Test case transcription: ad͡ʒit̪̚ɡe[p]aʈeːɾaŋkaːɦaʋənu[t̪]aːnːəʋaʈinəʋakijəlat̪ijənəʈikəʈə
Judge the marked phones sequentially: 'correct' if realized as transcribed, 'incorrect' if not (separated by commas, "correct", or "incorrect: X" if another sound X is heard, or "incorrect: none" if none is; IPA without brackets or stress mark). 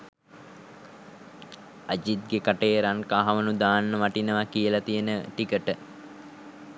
incorrect: k, incorrect: d̪